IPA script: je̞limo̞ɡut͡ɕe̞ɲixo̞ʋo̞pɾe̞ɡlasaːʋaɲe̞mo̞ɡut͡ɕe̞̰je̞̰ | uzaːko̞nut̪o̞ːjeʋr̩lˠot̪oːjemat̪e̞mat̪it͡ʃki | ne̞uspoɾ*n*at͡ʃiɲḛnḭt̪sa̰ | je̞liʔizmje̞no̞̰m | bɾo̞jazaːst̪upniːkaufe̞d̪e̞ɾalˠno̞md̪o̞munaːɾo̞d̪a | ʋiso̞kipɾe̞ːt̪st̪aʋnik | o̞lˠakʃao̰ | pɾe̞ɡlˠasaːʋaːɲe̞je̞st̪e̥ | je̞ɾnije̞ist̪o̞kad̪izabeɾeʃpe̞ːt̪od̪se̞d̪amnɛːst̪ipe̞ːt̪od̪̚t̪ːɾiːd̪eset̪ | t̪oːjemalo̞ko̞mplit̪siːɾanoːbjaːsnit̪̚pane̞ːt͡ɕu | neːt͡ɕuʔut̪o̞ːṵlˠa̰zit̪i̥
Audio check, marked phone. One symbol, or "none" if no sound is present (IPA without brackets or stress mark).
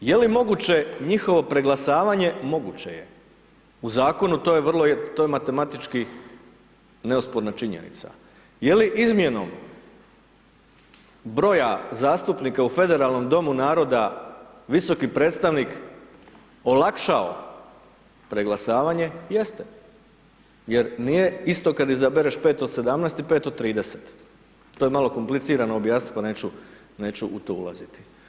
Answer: n